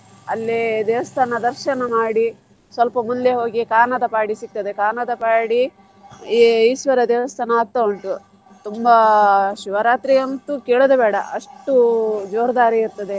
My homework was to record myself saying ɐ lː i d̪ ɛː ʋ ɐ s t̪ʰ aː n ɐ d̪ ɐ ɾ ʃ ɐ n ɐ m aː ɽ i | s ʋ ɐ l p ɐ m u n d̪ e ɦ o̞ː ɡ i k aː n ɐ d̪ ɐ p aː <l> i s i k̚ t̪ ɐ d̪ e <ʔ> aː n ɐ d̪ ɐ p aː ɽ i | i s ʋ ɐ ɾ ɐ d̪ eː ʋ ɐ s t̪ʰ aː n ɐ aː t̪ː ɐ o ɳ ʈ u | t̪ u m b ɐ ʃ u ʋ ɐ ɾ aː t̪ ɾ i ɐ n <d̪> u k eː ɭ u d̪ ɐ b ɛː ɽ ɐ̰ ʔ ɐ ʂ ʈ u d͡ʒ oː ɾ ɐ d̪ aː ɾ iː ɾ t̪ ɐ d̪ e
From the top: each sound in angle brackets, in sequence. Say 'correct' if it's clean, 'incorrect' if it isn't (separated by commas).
incorrect, incorrect, incorrect